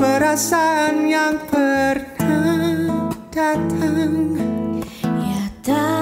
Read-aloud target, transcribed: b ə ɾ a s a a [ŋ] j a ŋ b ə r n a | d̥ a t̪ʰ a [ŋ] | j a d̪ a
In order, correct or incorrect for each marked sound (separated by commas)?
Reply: incorrect, correct